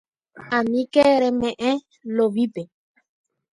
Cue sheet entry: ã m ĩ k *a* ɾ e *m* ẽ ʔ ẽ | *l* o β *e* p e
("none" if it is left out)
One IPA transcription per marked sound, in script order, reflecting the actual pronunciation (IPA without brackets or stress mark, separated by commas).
e, m, l, i